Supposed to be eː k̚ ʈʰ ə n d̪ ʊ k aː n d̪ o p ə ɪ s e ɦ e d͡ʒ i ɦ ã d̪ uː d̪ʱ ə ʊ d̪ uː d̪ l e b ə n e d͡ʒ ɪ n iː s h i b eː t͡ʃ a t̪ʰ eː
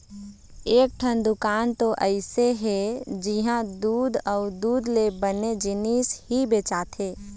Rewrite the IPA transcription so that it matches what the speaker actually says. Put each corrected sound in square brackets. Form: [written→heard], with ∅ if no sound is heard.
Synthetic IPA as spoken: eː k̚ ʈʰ ə n d̪ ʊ k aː n [d̪→t̪] o [p→ʔ] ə ɪ s e ɦ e d͡ʒ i ɦ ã d̪ uː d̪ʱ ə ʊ d̪ uː d̪ l e b ə n e d͡ʒ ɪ n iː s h i b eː t͡ʃ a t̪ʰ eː